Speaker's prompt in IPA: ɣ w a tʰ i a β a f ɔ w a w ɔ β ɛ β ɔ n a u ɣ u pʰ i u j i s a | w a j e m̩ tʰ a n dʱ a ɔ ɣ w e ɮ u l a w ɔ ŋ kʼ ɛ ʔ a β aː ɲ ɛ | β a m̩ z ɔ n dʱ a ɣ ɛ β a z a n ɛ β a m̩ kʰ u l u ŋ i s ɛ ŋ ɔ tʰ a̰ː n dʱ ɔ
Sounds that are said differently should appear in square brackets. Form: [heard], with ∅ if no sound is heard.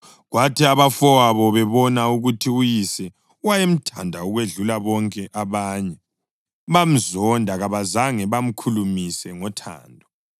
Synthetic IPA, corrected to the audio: ɣ w a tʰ i a β a f ɔ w a [β] ɔ β ɛ β ɔ n a u ɣ u [tʰ] i u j i s [ɛ] | w a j e m̩ tʰ a n dʱ a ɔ ɣ w e ɮ u l a [β] ɔ ŋ kʼ ɛ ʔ a β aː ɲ ɛ | β a m̩ z ɔ n dʱ a ɣ [a] β a z a [ŋ] ɛ β a m̩ kʰ u l u [m] i s ɛ ŋ ɔ tʰ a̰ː n dʱ ɔ